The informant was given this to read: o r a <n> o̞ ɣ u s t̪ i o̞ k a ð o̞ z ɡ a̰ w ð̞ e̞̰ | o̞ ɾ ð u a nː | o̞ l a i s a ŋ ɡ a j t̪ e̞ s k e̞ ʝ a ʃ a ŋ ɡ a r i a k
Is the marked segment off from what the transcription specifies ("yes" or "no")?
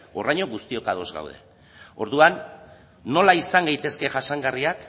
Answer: yes